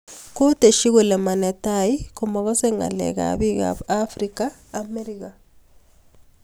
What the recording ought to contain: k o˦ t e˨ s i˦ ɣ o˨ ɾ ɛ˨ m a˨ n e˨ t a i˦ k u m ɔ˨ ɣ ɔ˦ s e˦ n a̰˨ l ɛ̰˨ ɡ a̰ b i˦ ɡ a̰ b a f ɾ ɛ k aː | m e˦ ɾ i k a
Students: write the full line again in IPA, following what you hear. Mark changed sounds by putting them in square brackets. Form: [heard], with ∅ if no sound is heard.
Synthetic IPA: k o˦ t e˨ [ʃ] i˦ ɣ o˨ [l] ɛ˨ m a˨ n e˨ t a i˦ k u m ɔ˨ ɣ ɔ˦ s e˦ [ŋ] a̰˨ l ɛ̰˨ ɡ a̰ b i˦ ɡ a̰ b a f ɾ [i] k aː | m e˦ ɾ i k a